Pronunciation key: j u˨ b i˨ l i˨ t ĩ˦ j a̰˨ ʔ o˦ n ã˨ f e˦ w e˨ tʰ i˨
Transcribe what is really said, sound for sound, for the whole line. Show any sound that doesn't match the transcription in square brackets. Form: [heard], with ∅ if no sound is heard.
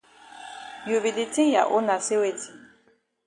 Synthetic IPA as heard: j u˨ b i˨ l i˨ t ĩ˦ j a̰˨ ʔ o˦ n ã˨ [s] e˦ w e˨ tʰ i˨